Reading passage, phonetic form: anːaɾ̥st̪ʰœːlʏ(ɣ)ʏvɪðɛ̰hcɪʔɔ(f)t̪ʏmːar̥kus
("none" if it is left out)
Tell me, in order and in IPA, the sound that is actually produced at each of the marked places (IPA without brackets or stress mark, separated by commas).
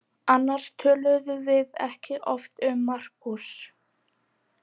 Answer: ð, f